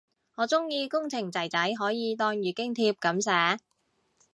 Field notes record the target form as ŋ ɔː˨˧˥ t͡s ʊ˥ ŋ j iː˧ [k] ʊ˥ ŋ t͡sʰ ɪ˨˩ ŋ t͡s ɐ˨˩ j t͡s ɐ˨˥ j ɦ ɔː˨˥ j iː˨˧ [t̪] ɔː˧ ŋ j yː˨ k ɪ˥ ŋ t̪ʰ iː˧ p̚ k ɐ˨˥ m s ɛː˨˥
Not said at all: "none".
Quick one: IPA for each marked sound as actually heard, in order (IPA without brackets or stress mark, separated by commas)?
k, t̪